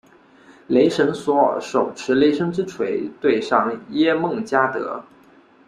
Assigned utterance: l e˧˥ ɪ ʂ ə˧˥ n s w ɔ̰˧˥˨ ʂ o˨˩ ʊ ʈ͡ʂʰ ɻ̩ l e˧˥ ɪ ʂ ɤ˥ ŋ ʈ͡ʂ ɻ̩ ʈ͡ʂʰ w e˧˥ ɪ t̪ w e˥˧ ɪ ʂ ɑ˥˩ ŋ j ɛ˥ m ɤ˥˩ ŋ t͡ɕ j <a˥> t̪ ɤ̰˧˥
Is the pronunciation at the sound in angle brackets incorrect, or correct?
correct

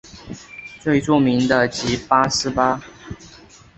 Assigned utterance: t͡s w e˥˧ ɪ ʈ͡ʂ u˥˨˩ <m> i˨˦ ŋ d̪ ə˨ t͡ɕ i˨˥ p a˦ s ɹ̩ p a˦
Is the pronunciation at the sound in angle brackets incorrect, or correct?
correct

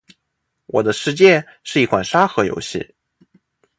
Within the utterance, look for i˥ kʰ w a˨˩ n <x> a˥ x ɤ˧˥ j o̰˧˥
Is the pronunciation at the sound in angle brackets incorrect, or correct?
incorrect: ʂ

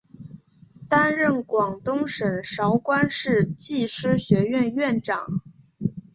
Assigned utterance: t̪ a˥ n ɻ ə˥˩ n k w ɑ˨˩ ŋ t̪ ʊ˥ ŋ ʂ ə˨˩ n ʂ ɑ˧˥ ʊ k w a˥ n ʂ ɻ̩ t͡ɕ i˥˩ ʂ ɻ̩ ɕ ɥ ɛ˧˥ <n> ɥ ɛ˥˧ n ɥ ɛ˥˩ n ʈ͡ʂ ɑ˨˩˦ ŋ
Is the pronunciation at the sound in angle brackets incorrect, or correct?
incorrect: none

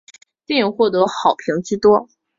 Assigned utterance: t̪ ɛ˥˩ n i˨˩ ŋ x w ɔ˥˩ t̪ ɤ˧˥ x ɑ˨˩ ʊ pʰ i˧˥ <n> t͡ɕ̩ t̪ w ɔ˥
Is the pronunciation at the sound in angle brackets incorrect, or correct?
incorrect: ŋ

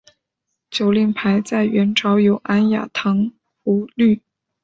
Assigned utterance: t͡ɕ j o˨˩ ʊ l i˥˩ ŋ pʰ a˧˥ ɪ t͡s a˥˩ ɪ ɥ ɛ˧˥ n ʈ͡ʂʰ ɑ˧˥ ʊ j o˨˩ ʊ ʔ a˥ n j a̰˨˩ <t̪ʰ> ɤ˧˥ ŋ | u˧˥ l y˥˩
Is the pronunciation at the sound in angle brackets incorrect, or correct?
correct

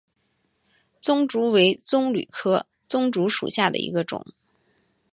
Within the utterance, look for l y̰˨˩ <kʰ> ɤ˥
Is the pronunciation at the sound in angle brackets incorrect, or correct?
correct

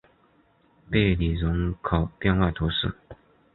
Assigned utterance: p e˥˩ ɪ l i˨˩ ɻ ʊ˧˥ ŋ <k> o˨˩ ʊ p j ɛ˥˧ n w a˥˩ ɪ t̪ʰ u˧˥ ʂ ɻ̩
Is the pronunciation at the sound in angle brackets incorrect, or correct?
incorrect: kʰ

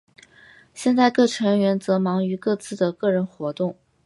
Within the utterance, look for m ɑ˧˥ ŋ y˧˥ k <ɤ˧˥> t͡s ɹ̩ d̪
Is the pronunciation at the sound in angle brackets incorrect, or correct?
incorrect: ɤ˥˧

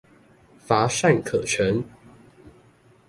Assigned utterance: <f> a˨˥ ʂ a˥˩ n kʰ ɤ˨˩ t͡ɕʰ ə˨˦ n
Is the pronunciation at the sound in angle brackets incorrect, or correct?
correct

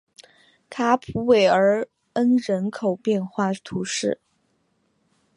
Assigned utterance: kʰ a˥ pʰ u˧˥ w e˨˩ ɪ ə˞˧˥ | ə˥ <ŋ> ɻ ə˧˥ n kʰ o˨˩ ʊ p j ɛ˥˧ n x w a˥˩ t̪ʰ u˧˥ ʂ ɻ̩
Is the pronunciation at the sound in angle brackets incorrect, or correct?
incorrect: n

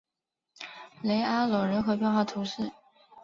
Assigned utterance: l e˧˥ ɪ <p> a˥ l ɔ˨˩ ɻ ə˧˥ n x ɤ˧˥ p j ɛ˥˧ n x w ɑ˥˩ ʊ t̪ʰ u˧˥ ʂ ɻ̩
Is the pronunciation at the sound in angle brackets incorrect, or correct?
incorrect: none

